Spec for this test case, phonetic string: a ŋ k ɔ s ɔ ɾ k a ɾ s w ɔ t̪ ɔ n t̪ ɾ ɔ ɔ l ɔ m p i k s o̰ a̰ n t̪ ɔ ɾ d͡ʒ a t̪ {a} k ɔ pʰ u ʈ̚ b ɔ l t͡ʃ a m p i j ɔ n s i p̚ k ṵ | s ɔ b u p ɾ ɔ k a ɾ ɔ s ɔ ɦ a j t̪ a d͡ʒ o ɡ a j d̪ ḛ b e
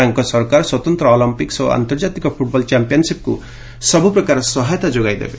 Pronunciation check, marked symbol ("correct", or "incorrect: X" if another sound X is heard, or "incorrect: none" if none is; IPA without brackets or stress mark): incorrect: i